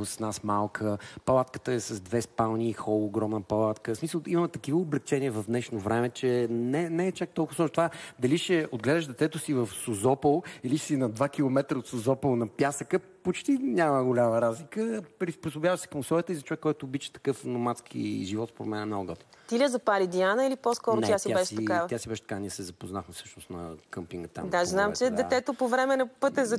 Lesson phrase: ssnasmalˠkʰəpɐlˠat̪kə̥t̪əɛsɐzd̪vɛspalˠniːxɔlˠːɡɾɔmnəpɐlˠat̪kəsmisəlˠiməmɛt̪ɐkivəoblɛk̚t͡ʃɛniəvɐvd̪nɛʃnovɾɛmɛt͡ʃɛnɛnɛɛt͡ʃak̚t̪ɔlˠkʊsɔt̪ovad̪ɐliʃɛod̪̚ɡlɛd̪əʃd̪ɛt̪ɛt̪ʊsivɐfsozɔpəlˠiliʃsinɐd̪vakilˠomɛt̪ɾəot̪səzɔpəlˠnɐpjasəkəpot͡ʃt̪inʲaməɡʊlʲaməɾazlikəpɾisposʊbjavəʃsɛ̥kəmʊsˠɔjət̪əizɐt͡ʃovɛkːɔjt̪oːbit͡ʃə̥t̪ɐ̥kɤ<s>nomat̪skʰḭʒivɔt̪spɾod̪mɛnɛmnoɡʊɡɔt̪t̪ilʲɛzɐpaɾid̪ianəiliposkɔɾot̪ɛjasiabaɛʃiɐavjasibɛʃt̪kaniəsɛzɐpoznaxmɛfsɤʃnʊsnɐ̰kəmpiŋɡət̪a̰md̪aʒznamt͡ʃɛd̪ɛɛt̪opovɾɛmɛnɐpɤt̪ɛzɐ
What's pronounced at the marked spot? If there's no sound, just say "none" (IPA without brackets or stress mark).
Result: f